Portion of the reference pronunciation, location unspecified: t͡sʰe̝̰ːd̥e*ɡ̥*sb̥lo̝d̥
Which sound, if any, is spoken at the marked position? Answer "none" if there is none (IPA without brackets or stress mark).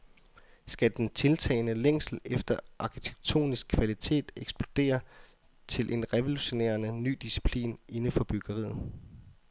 ɡ̥